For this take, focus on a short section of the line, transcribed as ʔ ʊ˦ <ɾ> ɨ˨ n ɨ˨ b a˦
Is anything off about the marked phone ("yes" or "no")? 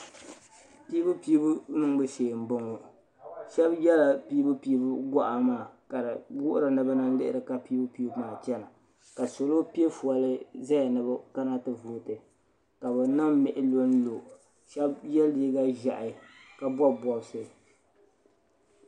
no